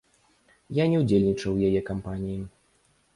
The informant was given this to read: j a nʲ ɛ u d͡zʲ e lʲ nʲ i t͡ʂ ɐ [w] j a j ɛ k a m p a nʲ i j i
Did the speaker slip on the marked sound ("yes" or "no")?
no